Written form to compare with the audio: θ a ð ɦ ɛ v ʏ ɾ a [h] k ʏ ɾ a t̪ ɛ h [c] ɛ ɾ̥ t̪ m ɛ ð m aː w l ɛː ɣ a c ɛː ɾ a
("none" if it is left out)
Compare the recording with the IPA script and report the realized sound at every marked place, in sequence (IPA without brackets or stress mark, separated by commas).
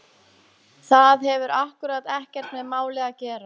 h, c